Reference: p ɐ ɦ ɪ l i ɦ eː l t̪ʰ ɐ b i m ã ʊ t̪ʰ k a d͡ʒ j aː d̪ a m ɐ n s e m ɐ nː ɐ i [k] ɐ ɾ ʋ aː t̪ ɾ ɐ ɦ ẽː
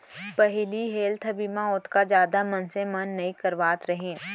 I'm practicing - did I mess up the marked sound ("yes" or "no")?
no